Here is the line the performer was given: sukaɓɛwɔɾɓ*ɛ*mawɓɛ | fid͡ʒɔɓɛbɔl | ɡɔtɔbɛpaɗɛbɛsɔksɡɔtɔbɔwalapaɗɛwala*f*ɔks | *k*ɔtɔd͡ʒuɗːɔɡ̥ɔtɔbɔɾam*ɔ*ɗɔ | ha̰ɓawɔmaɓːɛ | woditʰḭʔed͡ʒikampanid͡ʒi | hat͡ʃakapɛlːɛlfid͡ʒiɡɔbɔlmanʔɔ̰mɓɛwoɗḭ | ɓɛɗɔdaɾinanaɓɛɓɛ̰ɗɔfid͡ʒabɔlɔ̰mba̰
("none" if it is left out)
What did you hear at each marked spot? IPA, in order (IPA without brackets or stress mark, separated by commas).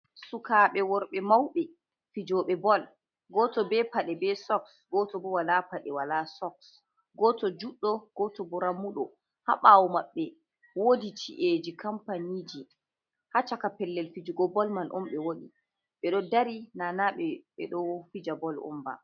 ɛ, s, ɡ, u